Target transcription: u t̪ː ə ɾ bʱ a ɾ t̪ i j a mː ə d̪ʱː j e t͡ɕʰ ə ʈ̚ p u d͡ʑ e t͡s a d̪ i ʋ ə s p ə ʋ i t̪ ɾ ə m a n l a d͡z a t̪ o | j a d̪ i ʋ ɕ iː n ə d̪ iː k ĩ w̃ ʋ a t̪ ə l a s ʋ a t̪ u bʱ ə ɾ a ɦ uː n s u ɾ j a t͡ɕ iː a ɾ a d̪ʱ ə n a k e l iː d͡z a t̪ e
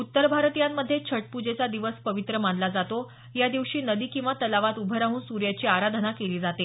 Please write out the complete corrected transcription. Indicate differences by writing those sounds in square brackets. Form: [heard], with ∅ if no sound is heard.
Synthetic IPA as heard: u t̪ː ə ɾ bʱ a ɾ t̪ i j a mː ə d̪ʱː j e t͡ɕʰ ə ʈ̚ p u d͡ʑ e t͡s a d̪ i ʋ ə s p ə ʋ i t̪ ɾ ə m a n l a d͡z a t̪ o | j a d̪ i ʋ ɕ iː n ə d̪ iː k ĩ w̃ ʋ a t̪ ə l a [∅] ʋ a t̪ u bʱ ə ɾ a ɦ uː n s u ɾ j a t͡ɕ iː a ɾ a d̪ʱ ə n a k e l iː d͡z a t̪ e

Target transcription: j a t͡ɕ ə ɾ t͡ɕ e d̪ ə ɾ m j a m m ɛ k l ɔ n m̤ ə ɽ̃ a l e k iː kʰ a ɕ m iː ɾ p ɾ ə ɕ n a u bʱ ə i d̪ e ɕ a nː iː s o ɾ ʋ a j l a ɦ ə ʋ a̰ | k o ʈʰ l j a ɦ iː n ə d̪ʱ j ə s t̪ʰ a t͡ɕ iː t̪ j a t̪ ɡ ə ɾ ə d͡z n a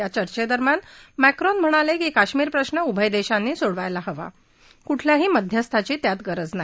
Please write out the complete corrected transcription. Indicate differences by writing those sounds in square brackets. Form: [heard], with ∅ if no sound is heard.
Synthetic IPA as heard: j a t͡ɕ ə ɾ t͡ɕ e d̪ ə ɾ m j a [n] m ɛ k [ɾ] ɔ n m̤ ə ɽ̃ a l e k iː [k] a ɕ m iː ɾ p ɾ ə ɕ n [ə] u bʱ ə [j] d̪ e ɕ a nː iː s o [ɽ] ʋ a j l a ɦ ə ʋ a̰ | k [u] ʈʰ l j a ɦ iː [m] ə d̪ʱ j ə s t̪ʰ a t͡ɕ iː t̪ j a t̪ ɡ ə ɾ ə d͡z n a

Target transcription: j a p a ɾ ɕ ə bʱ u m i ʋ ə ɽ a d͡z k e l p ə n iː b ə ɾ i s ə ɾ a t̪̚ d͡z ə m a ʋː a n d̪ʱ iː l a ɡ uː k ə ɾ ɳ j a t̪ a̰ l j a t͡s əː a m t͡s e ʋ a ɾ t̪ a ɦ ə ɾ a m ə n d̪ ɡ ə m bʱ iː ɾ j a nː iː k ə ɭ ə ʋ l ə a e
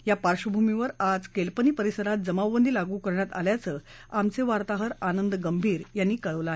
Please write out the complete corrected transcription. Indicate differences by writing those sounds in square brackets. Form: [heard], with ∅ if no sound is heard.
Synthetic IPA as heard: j a p a ɾ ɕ ə bʱ u m i ʋ ə [ɾ] a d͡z k e l p ə n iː [p] ə ɾ i s ə ɾ a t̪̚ d͡z ə m a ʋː [ə] n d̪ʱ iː l a ɡ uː k ə ɾ ɳ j a t̪ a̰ l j a t͡s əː a m t͡s e ʋ a ɾ t̪ a ɦ ə ɾ a [n] ə n d̪ ɡ ə m bʱ iː ɾ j a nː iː k ə ɭ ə ʋ l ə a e

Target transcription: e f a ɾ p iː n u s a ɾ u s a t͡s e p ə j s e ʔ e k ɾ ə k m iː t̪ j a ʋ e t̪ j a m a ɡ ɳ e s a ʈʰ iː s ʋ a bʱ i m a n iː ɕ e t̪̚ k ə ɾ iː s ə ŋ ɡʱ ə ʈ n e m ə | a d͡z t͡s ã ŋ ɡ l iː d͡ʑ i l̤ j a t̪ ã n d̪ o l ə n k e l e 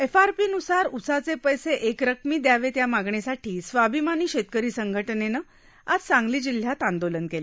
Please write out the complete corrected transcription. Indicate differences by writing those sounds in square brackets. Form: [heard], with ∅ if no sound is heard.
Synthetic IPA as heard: e f a ɾ p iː n u s a ɾ u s a t͡s e p ə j s e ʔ e k ɾ ə k m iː [d̪] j a ʋ e t̪ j a m a ɡ ɳ e s a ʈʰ iː s ʋ a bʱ i m a n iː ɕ e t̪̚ k ə ɾ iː s ə ŋ ɡʱ ə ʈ n e [n] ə | a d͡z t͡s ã ŋ ɡ l iː d͡ʑ i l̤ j a t̪ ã n d̪ o l ə n k e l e

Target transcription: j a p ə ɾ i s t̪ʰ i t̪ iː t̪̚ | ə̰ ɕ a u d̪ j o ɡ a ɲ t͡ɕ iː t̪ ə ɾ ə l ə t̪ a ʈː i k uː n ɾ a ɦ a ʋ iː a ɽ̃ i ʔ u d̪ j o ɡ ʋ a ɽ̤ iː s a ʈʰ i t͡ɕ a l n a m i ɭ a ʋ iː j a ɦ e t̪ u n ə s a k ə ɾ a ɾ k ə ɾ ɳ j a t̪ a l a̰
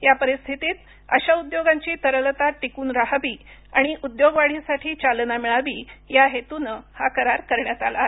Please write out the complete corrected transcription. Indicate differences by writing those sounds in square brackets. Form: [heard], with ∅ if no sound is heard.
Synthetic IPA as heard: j a p ə ɾ i s t̪ʰ i t̪ iː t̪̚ | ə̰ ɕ a u d̪ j o ɡ a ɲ t͡ɕ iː t̪ ə ɾ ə l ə t̪ a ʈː i k uː n ɾ a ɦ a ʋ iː a ɽ̃ i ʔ u d̪ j o ɡ ʋ a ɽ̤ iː s a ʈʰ [iː] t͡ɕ a l n a m i ɭ a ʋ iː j a ɦ e t̪ u n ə [h] a k ə ɾ a ɾ k ə ɾ ɳ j a t̪ a l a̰

